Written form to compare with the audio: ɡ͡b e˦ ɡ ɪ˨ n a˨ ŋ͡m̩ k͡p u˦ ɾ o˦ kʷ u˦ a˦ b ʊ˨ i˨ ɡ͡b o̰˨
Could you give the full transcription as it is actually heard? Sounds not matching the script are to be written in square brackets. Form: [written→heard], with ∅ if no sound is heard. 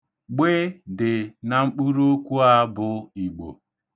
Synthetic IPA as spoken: ɡ͡b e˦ [ɡ→d] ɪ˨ n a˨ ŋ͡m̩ k͡p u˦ ɾ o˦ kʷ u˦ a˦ b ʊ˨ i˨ ɡ͡b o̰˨